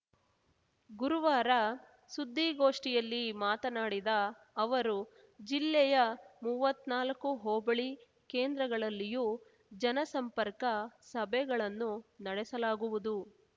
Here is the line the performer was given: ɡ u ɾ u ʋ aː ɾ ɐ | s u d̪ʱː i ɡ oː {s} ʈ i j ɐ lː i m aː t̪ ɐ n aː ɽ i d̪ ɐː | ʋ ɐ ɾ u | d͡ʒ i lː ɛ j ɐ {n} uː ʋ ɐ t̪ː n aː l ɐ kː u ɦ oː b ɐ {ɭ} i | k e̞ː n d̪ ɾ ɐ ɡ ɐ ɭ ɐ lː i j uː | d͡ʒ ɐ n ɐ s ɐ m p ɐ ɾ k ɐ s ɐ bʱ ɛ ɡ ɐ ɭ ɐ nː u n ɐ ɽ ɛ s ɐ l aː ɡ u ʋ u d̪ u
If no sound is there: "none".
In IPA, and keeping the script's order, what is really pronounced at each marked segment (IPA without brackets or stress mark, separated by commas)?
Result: ʂ, m, ɭ